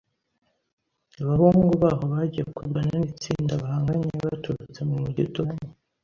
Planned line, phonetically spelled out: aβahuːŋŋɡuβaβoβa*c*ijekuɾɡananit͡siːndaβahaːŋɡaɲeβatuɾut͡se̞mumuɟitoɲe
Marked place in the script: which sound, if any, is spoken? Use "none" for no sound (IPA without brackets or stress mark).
ɟ